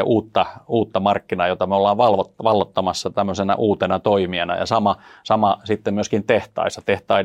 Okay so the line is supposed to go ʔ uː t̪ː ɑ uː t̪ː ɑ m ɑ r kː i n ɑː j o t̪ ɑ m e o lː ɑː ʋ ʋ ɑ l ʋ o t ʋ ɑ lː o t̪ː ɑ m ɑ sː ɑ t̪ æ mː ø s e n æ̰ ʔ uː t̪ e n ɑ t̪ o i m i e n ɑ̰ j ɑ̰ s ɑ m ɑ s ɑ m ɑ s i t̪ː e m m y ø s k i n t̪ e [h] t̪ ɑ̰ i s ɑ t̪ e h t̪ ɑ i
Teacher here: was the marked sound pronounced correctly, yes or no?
yes